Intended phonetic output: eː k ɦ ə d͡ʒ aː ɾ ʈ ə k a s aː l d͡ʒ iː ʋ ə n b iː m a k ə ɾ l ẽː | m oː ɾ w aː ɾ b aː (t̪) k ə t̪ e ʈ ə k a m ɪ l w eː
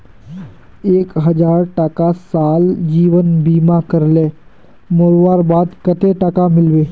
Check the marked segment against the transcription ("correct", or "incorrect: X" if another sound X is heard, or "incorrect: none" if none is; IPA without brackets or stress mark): incorrect: d̪